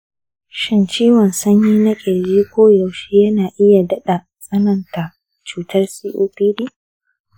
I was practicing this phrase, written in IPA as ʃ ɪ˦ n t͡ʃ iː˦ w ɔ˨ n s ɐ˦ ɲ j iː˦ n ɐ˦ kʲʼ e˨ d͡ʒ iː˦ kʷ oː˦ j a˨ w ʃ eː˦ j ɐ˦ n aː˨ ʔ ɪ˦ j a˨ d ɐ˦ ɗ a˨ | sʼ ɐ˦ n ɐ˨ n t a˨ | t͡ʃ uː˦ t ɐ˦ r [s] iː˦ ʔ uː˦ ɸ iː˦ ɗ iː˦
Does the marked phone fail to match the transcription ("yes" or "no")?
no